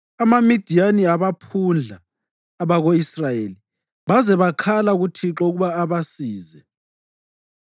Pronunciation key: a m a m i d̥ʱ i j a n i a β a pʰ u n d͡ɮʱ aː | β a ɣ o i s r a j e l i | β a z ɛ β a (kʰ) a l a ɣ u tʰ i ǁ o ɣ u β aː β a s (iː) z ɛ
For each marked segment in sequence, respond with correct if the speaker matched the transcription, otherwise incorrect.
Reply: correct, correct

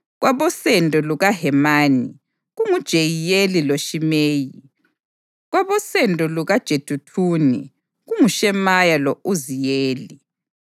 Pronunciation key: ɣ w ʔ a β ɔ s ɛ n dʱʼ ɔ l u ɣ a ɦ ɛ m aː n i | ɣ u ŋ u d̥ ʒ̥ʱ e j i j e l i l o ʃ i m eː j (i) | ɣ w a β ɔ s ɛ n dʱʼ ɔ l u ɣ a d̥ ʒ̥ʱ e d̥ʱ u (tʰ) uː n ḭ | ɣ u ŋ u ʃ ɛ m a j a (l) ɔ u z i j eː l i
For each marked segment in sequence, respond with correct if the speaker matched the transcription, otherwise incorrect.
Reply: correct, correct, correct

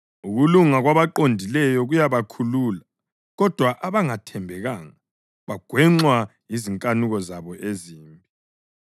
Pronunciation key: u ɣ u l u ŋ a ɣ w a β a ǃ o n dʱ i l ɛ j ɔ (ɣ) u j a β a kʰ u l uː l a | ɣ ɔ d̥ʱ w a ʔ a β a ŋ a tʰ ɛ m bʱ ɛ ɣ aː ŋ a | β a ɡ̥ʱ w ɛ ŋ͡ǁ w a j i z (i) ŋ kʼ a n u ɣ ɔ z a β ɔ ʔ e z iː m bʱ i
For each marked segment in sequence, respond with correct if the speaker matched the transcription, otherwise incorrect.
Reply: correct, correct

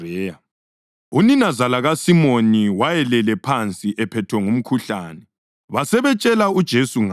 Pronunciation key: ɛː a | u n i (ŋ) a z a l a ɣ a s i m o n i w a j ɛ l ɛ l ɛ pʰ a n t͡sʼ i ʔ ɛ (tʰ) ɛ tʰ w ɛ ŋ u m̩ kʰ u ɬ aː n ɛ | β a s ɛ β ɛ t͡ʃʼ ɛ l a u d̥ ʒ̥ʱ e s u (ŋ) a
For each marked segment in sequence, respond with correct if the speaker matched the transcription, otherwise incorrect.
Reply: incorrect: n, incorrect: pʰ, correct

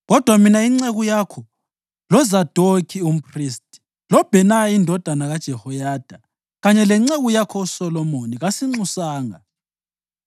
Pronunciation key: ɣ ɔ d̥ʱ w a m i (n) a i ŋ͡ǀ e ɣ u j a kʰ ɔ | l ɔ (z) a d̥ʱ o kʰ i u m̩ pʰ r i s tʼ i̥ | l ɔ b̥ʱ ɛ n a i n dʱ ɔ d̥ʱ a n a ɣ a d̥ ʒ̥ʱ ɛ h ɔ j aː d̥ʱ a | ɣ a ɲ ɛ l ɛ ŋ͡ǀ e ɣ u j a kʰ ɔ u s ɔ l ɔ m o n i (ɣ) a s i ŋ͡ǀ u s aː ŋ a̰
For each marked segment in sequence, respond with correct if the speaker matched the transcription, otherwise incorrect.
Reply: correct, correct, correct

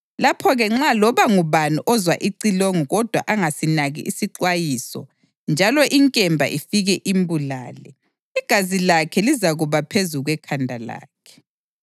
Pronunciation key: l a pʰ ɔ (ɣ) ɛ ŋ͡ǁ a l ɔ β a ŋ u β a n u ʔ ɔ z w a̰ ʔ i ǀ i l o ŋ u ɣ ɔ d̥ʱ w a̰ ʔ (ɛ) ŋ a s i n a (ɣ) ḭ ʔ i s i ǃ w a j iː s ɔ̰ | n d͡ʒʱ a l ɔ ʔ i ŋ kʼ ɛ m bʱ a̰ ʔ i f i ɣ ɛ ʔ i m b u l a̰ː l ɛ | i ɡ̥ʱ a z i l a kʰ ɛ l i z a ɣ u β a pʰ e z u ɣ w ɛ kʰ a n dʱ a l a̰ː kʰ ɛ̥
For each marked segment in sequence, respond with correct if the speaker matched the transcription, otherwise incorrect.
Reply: correct, incorrect: a, correct

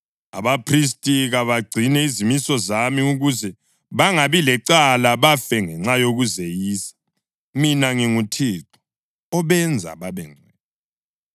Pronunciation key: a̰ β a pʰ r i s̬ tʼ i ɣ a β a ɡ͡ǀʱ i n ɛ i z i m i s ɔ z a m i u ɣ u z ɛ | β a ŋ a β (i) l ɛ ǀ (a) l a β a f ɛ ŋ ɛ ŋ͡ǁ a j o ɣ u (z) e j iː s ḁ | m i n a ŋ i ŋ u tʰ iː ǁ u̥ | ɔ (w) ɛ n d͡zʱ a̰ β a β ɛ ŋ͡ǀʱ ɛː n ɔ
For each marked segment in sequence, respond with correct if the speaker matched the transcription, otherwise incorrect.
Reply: correct, correct, correct, incorrect: β

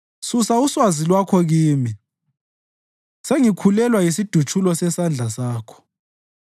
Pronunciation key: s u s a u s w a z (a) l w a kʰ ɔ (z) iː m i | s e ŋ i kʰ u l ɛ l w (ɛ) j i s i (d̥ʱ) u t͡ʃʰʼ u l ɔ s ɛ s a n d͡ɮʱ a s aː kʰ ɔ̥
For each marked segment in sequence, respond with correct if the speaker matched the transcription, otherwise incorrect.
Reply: incorrect: i, incorrect: ɣ, incorrect: a, correct

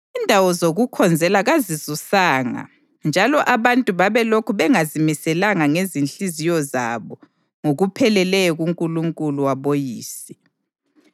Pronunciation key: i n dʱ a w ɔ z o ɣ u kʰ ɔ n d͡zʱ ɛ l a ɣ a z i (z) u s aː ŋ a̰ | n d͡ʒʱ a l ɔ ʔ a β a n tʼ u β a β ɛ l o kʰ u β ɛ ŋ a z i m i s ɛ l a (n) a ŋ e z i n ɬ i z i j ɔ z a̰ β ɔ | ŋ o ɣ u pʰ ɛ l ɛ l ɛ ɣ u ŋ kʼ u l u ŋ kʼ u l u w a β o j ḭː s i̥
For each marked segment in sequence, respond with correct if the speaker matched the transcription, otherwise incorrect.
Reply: correct, incorrect: ŋ

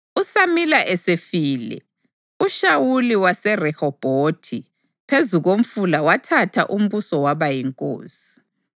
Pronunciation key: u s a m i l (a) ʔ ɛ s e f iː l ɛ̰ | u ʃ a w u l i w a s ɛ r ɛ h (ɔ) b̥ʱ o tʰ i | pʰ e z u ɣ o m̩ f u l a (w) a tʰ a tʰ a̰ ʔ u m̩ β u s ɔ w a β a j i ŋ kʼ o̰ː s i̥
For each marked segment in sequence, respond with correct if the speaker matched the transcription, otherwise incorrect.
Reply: correct, correct, correct

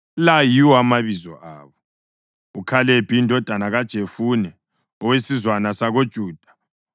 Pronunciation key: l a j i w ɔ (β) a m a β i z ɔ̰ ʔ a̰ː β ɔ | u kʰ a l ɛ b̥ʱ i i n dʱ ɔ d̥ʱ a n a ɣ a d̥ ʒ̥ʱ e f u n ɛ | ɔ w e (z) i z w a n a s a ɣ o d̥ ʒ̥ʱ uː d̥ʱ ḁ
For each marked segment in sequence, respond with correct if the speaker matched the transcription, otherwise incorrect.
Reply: incorrect: none, incorrect: s

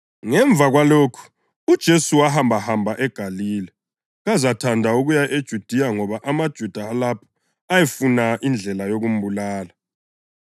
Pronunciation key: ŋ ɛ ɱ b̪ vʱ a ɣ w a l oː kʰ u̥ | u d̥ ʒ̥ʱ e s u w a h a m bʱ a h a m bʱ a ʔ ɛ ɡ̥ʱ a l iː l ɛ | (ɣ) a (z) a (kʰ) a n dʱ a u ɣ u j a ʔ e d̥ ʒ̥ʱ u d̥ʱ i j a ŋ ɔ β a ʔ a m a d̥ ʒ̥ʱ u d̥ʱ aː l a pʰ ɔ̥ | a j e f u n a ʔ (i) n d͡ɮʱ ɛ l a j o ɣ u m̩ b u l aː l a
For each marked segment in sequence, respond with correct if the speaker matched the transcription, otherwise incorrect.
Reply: correct, correct, incorrect: tʰ, correct

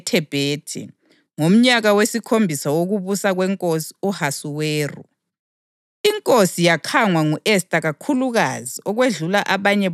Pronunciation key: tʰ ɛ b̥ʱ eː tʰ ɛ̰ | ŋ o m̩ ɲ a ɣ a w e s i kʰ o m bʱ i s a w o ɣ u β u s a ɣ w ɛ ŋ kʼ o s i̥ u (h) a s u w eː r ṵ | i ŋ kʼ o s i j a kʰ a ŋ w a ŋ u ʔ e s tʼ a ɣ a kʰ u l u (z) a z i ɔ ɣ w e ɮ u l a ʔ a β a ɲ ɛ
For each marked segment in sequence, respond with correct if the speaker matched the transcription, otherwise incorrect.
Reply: correct, incorrect: ɣ

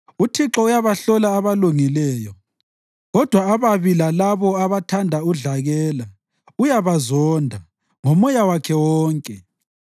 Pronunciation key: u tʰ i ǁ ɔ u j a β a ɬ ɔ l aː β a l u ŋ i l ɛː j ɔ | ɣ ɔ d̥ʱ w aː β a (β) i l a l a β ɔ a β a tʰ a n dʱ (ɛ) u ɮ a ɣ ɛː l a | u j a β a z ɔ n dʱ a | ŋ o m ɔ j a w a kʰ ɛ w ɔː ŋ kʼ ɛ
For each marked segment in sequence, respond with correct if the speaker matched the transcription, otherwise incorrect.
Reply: correct, incorrect: a

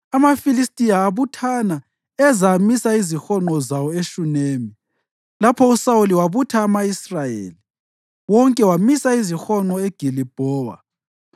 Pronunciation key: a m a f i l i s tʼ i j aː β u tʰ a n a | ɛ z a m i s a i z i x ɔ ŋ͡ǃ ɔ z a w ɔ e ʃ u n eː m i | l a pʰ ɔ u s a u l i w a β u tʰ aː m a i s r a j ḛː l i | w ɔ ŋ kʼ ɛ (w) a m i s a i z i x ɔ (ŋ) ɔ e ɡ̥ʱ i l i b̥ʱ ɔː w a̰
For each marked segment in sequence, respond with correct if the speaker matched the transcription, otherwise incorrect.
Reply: correct, incorrect: ŋ͡ǃ

